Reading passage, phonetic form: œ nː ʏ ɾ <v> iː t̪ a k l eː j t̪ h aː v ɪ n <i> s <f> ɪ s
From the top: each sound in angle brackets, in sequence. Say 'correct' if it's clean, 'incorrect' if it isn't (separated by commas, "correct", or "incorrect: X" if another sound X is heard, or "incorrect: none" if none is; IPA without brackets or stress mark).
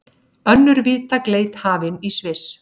correct, correct, incorrect: v